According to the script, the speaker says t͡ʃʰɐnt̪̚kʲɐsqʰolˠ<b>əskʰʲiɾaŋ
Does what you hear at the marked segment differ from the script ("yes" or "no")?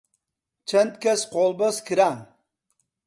no